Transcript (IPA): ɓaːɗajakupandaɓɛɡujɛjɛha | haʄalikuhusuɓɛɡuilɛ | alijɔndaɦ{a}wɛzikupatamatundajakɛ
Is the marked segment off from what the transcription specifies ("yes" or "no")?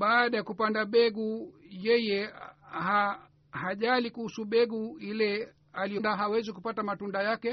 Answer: no